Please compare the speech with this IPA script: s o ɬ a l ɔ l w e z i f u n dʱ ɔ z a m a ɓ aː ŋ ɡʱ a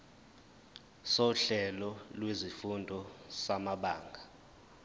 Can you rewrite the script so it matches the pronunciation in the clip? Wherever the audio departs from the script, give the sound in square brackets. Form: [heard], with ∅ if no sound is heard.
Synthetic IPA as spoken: s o ɬ [ɛ] l ɔ l w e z i f u n dʱ ɔ [s] a m a ɓ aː ŋ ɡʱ a